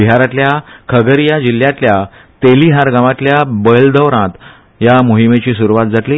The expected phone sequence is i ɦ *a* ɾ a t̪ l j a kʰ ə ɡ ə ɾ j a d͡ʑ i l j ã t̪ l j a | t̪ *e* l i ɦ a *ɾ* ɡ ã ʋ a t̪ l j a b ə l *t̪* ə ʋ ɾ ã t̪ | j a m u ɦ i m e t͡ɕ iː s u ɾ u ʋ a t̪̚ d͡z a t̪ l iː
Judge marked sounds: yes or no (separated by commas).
yes, yes, yes, no